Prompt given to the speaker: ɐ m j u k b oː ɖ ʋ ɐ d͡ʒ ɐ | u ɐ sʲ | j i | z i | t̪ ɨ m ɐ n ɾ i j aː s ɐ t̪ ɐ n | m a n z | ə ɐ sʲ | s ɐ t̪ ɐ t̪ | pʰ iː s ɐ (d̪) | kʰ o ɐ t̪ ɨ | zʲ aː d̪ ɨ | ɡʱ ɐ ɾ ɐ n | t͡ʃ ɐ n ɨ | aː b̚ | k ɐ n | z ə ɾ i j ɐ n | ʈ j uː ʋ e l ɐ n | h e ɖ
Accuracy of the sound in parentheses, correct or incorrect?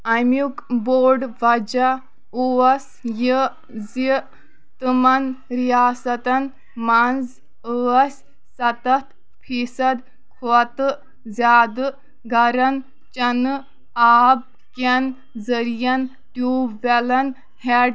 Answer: correct